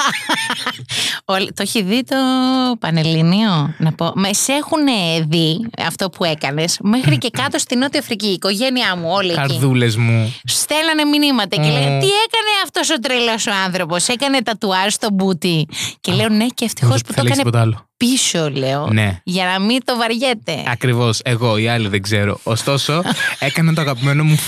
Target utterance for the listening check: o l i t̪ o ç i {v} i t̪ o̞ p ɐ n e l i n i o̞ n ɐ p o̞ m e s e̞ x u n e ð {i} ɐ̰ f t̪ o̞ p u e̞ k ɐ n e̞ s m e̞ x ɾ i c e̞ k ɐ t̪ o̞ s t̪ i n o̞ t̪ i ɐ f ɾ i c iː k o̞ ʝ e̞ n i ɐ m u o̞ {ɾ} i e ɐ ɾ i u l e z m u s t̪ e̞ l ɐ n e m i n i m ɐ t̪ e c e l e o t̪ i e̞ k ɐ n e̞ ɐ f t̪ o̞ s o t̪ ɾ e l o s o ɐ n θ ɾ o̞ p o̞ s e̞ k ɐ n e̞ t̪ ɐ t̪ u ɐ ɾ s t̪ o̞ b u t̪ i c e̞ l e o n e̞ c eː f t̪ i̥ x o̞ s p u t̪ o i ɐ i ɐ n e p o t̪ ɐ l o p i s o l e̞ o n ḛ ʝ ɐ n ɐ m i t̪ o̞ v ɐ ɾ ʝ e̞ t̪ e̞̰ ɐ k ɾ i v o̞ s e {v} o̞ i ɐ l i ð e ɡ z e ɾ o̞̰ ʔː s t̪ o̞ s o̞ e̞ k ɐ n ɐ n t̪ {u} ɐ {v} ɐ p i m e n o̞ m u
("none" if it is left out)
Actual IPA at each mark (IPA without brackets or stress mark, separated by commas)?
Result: ð, i, l, ɣ, o, ɣ